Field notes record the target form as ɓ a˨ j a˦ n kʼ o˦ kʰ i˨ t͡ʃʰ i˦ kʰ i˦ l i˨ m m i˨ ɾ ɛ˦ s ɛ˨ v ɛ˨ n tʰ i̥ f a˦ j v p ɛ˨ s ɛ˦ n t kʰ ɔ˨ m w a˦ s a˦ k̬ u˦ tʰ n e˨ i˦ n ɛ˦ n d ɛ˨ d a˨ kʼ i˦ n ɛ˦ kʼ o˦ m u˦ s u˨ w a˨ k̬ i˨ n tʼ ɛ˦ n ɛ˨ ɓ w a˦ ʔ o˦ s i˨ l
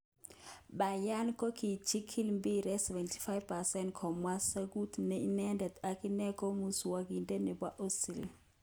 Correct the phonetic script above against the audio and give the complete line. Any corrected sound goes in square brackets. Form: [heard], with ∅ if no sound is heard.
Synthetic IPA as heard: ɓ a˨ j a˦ n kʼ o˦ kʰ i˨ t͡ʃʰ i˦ kʰ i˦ l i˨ m [b] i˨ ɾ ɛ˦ s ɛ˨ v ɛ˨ n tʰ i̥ f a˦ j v p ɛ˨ s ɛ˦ n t kʰ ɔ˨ m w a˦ s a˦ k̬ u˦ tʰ n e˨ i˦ n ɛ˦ n d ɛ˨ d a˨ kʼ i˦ n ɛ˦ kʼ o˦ m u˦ s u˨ w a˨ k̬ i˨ n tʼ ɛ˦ n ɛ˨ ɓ w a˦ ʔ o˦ s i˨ l